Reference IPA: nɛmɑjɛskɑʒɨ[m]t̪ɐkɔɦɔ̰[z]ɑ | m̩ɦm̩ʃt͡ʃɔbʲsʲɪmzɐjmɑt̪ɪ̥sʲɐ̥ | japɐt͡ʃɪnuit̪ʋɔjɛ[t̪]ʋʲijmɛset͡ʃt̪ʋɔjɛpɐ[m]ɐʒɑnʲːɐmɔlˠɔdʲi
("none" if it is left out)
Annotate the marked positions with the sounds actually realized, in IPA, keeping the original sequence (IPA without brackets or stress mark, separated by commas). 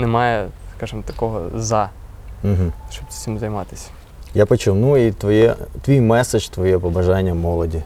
m, z, t̪, b